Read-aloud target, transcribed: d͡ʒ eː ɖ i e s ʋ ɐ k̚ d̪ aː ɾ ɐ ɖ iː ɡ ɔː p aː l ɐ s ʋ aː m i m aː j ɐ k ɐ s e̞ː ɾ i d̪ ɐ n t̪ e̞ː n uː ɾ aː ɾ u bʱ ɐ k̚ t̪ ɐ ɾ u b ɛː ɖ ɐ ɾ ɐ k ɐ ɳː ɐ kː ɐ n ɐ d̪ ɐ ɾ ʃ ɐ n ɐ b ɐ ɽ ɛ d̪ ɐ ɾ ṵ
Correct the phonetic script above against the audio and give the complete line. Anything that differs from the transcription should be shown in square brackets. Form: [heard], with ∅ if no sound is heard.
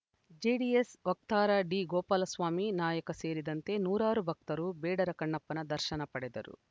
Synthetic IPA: d͡ʒ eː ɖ i e s ʋ ɐ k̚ [t̪] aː ɾ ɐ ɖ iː ɡ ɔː p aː l ɐ s ʋ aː m i [n] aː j ɐ k ɐ s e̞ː ɾ i d̪ ɐ n t̪ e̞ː n uː ɾ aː ɾ u bʱ ɐ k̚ t̪ ɐ ɾ u b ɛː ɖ ɐ ɾ ɐ k ɐ ɳː ɐ [pː] ɐ n ɐ d̪ ɐ ɾ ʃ ɐ n ɐ [p] ɐ ɽ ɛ d̪ ɐ ɾ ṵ